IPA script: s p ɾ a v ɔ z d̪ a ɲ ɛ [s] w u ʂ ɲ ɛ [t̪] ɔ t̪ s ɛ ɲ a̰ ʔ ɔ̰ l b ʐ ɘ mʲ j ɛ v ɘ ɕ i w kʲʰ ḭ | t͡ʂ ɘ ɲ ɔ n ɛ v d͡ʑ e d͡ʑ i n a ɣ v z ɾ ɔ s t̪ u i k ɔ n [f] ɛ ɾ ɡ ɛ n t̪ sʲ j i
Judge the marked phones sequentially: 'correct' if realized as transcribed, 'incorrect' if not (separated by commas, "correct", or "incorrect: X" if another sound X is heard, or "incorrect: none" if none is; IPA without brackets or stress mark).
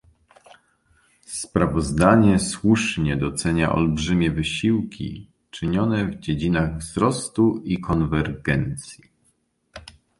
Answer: correct, incorrect: d̪, incorrect: v